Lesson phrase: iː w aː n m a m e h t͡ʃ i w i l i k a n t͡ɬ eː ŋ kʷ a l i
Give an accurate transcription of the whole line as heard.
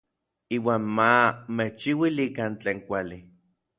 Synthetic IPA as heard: iː w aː n m a m e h t͡ʃ i w i l i k a n t͡ɬ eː ŋ kʷ a l i